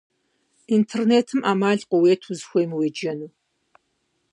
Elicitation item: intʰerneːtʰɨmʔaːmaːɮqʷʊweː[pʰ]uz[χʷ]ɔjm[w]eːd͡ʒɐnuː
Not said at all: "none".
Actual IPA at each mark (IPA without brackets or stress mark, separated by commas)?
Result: tʰ, xʷ, w